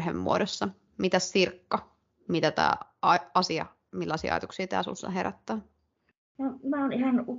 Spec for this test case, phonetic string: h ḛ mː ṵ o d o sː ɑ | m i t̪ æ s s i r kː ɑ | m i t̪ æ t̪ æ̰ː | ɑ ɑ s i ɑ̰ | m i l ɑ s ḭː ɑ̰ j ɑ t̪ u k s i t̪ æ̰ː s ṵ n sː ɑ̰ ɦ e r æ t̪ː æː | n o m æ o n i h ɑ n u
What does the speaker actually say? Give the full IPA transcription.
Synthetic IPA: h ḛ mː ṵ o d o sː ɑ | m i t̪ æ s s i r kː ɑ | m i t̪ æ t̪ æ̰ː | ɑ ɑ s i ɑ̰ | m i lː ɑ s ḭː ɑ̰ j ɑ t̪ u k s iː t̪ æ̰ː s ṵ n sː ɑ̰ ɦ e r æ t̪ː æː | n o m æ o n i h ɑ n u